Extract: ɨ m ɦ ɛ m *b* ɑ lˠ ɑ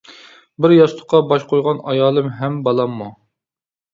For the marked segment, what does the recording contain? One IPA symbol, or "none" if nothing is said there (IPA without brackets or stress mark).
b